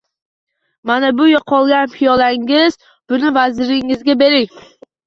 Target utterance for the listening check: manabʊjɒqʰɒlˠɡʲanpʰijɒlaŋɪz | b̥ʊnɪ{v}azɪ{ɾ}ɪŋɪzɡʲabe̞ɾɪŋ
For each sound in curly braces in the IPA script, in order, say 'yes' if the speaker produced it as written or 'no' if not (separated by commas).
yes, yes